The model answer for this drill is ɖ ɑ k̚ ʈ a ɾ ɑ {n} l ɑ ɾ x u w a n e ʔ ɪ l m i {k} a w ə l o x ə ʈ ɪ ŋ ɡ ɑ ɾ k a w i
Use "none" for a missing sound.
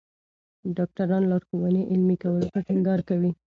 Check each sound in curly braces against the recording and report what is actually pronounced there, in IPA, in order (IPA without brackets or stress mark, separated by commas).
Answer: n, k